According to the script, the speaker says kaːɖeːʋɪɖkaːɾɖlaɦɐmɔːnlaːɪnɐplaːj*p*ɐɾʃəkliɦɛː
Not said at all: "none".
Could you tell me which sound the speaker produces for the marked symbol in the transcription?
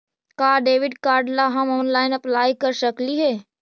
k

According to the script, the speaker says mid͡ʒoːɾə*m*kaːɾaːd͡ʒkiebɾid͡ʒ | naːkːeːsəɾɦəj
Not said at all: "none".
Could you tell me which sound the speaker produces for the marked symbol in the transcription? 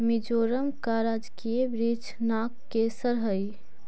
m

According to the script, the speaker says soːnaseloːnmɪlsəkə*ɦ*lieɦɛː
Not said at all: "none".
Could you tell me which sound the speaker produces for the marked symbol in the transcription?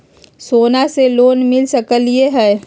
none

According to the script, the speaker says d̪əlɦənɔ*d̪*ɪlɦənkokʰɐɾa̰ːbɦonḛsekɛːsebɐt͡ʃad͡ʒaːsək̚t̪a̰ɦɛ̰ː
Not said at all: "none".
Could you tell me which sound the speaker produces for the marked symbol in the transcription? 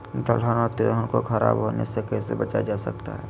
t̪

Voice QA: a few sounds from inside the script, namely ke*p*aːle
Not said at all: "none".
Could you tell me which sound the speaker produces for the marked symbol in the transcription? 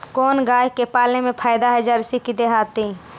p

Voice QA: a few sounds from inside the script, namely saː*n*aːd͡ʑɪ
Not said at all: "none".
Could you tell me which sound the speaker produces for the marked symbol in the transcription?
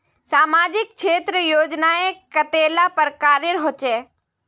m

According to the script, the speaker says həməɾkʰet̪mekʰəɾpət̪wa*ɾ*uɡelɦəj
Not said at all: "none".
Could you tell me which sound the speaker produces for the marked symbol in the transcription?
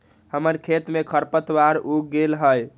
ɾ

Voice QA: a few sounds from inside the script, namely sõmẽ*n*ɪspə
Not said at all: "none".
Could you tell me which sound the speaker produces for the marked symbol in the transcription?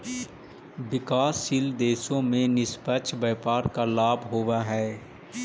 n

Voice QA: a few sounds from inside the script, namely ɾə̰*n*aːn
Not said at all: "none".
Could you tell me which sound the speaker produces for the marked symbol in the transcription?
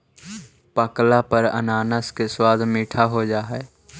n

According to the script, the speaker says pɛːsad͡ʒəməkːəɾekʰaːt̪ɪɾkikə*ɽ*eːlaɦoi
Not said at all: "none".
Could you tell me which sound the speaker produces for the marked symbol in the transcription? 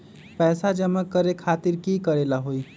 ɾ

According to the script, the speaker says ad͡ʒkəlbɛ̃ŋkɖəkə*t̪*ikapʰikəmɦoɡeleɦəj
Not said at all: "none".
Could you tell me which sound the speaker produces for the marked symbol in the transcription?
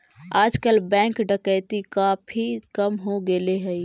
t̪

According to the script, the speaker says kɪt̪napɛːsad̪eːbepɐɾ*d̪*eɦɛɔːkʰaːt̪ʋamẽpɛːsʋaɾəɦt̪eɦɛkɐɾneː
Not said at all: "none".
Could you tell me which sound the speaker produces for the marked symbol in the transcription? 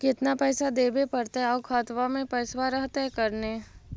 t̪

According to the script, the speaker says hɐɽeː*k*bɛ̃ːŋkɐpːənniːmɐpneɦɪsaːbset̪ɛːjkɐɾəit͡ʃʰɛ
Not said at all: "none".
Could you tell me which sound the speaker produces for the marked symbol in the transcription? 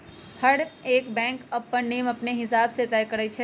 k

